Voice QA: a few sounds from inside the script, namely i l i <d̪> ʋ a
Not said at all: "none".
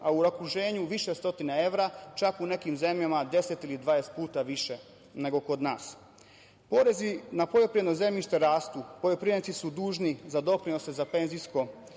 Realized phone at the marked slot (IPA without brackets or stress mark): d̪